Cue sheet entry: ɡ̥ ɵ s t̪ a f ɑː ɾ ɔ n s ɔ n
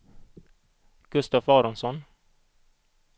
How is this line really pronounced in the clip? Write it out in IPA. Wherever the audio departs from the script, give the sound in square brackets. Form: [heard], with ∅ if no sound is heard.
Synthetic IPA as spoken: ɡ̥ ɵ s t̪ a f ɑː ɾ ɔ n s ɔ n